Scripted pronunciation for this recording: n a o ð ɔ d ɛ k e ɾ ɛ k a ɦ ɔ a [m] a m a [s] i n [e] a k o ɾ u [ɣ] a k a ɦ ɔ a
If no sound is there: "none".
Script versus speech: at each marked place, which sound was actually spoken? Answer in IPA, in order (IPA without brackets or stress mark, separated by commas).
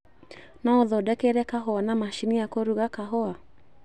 n, ʃ, i, ɣ